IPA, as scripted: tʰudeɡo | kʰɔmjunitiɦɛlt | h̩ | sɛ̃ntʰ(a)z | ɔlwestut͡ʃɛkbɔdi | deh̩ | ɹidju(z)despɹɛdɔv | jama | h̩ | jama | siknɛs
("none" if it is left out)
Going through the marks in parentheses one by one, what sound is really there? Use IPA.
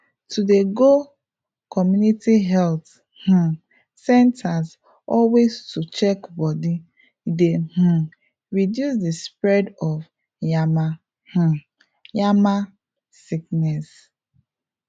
a, s

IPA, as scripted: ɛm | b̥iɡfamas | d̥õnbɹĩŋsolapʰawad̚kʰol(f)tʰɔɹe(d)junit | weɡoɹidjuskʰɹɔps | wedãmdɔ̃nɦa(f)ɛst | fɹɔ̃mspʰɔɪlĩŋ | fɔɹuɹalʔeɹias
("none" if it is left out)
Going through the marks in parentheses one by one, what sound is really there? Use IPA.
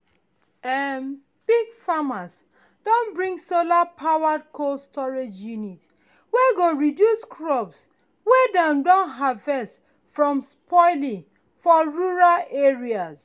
s, d͡ʒ, v

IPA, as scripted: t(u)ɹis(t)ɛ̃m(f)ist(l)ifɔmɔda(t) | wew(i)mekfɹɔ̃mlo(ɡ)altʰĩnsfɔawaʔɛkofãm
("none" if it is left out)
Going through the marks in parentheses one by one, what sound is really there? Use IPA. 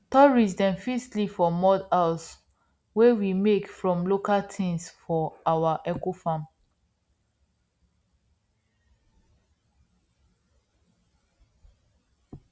ɔ, d, f, l, s, i, k

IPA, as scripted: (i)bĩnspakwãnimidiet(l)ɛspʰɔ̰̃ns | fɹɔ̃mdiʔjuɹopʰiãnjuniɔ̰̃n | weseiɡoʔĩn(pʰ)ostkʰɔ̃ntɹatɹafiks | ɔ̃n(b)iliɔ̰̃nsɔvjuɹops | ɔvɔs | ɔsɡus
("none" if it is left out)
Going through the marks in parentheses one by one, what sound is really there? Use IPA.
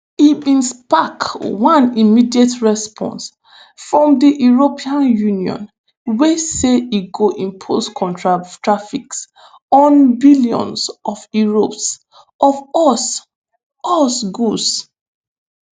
i, ɹ, pʰ, b

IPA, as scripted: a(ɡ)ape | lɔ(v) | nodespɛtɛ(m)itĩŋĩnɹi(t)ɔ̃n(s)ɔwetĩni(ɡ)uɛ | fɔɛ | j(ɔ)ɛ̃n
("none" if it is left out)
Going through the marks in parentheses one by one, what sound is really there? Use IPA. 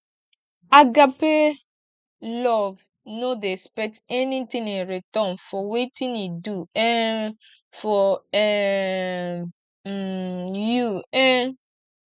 ɡ, v, n, t, f, d, u

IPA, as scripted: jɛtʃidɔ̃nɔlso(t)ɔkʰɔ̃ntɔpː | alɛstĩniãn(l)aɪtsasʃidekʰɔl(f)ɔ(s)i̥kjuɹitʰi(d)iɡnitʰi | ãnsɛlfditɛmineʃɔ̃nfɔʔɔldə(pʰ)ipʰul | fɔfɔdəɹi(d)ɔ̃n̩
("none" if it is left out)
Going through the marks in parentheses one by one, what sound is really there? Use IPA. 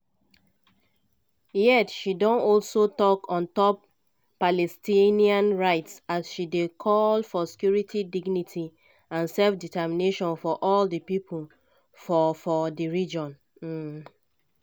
t, ɹ, f, s, d, p, d͡ʒ

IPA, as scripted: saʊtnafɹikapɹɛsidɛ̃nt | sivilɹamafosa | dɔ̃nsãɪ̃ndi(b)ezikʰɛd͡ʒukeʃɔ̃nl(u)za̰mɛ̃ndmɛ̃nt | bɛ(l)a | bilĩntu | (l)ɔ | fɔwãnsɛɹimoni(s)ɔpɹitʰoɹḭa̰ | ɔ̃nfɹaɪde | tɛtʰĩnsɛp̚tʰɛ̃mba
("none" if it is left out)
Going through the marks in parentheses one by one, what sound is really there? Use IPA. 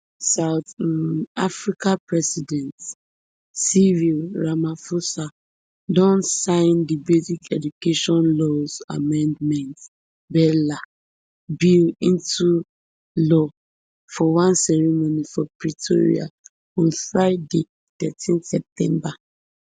b, ɔ, l, l, f

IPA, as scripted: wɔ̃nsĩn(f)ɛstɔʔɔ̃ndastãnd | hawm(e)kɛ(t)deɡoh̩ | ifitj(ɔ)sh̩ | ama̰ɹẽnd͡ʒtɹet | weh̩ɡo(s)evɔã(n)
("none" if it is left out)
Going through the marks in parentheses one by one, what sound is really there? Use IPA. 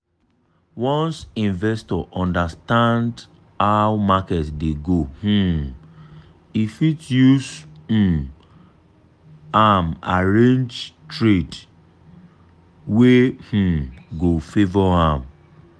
v, a, t, u, f, m

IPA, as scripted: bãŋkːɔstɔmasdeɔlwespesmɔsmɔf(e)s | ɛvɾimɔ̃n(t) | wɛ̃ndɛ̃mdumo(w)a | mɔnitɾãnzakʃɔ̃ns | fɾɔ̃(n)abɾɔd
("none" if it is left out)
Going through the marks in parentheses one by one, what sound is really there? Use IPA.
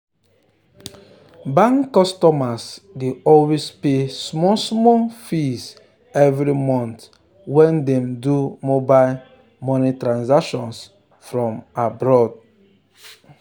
i, t, b, m

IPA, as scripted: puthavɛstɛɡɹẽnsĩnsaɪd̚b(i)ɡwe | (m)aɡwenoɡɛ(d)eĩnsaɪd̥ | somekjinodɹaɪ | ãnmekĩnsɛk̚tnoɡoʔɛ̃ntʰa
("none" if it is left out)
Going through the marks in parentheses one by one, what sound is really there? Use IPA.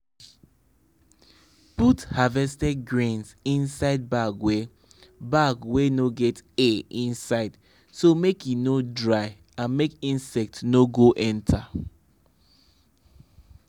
a, b, t

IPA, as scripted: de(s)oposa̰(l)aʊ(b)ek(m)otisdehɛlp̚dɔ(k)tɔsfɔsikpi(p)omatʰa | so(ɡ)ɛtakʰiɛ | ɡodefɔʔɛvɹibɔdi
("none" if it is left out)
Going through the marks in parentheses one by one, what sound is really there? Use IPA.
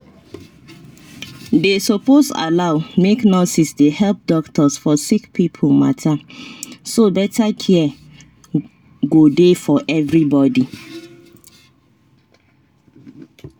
s, l, m, n, k, pʰ, b

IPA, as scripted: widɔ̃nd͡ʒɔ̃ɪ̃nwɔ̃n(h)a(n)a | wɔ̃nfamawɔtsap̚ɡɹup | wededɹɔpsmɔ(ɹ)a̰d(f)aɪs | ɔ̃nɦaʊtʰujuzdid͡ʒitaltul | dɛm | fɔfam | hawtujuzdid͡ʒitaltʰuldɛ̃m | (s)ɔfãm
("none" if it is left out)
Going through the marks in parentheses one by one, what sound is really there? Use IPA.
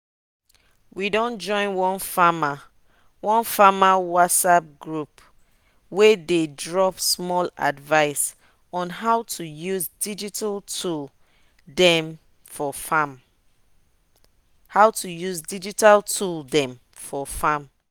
f, m, l, v, f

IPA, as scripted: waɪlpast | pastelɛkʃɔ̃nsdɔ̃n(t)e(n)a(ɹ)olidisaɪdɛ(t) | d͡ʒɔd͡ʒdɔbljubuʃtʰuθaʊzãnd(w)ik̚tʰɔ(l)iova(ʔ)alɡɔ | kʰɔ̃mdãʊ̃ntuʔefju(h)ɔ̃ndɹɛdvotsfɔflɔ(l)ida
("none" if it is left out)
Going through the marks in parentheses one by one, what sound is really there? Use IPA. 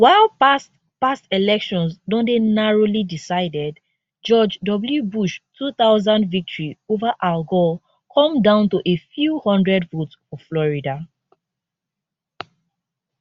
d, n, ɹ, d, v, ɹ, ʔ, h, ɹ

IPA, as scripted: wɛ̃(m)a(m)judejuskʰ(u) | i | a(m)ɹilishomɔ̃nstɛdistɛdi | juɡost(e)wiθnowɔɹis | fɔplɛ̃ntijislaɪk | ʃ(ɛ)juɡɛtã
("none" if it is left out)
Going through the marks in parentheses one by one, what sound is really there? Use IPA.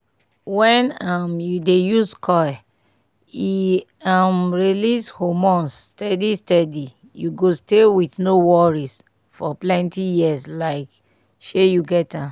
n, m, ɔ, m, e, e

